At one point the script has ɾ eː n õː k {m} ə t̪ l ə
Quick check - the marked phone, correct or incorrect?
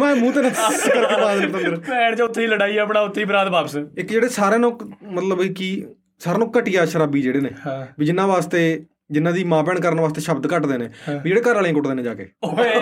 correct